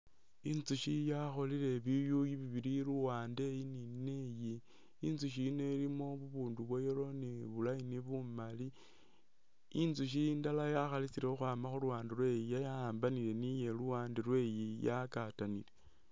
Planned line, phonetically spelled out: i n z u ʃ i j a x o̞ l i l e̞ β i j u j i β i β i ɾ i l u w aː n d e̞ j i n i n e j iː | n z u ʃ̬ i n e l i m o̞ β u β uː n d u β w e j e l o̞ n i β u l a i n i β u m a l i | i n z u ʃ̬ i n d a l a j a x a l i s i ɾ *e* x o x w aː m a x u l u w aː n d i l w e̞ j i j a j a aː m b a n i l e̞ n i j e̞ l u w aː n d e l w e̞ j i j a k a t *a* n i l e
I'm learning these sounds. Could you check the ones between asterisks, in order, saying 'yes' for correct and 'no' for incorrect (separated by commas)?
yes, yes